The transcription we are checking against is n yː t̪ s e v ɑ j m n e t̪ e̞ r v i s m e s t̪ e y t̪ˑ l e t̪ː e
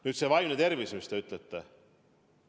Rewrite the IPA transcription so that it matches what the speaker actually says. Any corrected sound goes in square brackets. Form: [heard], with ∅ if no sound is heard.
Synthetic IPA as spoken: n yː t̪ s e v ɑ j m n e t̪ e̞ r v i s m [i] s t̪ e y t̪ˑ l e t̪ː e